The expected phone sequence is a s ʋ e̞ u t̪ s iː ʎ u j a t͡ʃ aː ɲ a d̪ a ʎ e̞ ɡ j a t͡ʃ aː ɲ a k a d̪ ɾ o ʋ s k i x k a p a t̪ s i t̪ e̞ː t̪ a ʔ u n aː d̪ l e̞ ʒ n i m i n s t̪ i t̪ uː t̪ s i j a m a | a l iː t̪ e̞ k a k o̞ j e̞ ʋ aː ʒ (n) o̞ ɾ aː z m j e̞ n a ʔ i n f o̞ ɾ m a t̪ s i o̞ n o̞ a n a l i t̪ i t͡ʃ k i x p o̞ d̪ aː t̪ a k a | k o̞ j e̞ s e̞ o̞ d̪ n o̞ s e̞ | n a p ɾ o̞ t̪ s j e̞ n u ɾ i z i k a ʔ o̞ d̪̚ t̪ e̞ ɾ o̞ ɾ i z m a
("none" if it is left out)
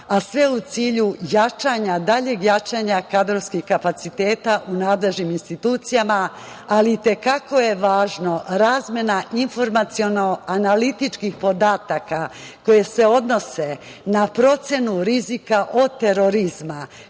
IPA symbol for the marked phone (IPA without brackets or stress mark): n